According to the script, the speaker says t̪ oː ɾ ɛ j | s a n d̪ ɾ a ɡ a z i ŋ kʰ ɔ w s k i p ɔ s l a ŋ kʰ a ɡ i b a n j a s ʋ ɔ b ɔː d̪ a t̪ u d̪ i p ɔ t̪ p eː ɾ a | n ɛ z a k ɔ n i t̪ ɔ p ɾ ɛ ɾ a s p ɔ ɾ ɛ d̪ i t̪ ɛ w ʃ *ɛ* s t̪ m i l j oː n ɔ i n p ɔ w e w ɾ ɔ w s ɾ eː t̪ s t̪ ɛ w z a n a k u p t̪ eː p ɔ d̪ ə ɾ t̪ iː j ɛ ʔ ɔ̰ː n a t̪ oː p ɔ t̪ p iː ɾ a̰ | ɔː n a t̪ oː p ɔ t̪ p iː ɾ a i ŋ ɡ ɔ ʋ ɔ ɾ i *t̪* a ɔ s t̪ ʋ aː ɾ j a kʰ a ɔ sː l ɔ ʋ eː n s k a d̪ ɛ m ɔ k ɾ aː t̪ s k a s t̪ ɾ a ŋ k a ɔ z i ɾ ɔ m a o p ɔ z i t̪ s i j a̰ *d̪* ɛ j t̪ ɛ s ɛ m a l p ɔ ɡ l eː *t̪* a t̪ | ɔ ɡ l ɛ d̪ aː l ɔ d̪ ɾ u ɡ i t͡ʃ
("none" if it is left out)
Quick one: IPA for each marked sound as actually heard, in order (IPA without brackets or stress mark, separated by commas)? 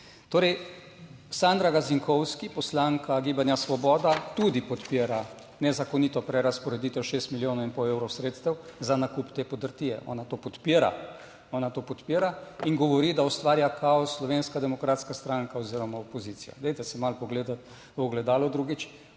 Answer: e, d̪, d̪, d̪